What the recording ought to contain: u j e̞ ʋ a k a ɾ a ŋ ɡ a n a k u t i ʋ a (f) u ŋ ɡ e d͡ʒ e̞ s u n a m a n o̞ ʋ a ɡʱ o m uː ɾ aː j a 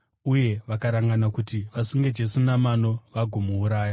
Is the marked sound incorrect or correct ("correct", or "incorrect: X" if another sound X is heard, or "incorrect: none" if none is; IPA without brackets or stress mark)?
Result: incorrect: s